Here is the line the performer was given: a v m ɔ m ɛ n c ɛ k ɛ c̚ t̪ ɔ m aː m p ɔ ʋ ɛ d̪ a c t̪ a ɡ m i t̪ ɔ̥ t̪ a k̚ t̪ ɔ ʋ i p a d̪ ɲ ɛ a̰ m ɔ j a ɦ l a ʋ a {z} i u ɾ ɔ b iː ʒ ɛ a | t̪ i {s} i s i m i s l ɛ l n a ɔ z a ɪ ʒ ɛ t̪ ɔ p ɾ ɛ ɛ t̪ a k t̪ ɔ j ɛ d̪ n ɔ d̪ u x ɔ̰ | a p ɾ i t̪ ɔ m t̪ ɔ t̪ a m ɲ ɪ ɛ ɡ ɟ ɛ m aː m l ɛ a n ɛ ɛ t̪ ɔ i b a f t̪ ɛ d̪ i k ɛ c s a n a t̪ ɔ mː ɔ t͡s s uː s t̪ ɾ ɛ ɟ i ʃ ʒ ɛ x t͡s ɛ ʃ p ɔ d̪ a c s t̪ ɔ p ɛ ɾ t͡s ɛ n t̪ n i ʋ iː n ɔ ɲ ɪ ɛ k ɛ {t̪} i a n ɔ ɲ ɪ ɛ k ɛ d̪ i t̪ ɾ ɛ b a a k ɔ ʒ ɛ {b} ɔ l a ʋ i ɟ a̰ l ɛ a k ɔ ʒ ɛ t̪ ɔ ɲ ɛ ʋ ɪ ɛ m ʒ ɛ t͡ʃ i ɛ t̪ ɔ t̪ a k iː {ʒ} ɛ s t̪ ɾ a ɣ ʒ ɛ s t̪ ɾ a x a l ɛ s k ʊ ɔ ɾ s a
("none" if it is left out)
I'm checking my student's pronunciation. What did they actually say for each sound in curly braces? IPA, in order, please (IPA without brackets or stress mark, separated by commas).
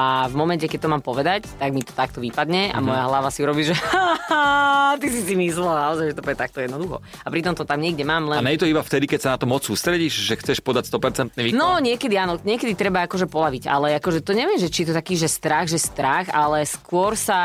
s, s, d̪, p, ʒ